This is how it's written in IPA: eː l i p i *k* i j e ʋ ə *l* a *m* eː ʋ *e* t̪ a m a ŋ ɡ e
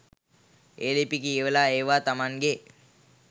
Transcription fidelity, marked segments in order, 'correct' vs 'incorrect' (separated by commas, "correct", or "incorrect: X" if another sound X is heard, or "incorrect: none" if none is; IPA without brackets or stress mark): correct, correct, incorrect: none, incorrect: a